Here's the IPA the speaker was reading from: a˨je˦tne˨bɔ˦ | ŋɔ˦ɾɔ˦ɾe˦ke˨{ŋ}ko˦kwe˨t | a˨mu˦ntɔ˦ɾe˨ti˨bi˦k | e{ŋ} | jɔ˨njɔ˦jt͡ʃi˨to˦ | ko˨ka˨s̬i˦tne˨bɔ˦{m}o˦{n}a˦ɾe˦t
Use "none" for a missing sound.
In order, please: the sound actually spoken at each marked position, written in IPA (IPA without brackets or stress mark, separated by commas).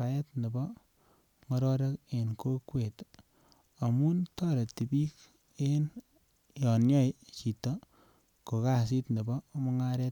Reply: n, n, m, ŋ